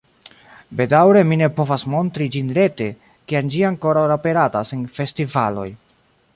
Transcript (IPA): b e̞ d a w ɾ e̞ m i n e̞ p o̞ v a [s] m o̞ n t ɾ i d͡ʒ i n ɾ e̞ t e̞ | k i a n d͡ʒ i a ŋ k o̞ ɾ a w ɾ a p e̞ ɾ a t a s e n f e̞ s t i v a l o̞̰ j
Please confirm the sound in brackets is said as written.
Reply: yes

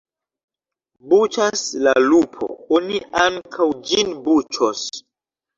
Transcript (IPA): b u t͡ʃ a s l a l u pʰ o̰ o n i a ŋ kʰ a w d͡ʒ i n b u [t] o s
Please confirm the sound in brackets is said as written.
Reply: no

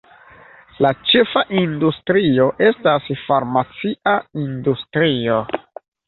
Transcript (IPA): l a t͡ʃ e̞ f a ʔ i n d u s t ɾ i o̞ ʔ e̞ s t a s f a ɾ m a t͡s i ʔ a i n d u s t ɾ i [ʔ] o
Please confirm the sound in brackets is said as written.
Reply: no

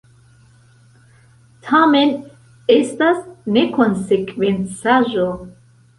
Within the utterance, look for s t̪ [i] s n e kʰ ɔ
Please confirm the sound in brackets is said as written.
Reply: no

